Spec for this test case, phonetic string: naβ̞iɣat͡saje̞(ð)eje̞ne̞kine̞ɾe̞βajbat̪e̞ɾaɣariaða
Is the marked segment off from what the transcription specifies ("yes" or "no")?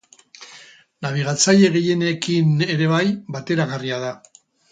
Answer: yes